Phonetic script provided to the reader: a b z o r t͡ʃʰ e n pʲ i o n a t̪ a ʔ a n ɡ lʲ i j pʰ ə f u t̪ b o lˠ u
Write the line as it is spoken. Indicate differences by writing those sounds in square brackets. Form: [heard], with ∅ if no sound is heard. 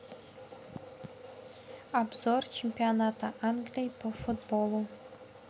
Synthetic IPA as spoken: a b z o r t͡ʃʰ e [m] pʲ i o n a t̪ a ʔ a n ɡ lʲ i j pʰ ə f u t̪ b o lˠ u

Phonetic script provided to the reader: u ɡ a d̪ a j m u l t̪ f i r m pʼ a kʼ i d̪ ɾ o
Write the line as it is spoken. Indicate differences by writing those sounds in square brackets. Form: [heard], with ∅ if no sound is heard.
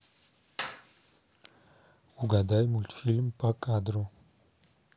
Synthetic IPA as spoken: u ɡ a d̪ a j m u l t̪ f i [l] m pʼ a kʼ [a] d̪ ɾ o

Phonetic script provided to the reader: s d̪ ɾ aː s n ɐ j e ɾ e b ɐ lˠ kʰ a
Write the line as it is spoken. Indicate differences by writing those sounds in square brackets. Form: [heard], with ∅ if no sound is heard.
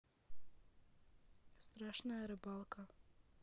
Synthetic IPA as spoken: s [t̪] ɾ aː [ʃ] n [a] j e ɾ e b [a] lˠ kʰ a

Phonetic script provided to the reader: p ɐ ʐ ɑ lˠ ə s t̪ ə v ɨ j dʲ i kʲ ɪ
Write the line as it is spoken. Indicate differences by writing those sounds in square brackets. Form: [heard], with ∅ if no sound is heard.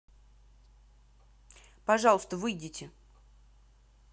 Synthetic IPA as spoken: p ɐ ʐ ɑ lˠ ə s t̪ ə v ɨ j dʲ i [tʲ] ɪ

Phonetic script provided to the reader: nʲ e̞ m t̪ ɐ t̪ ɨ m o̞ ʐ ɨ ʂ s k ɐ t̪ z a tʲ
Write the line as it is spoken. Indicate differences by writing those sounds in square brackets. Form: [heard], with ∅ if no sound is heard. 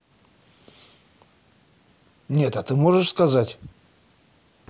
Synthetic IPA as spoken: nʲ e̞ [∅] t̪ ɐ t̪ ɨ m o̞ ʐ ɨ ʂ s k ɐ [∅] z a tʲ

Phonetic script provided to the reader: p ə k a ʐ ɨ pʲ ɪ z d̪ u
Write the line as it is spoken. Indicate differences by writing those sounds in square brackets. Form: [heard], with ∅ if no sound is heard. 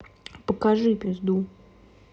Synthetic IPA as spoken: p ə k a ʐ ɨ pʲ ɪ z d̪ u

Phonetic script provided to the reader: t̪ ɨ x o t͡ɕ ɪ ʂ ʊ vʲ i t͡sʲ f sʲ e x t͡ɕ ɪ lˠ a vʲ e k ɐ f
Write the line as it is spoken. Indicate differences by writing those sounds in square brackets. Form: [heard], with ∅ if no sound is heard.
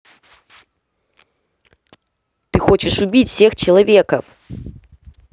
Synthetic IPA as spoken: t̪ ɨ x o t͡ɕ ɪ ʂ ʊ [bʲ] i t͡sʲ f sʲ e x t͡ɕ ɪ lˠ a vʲ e k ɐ f

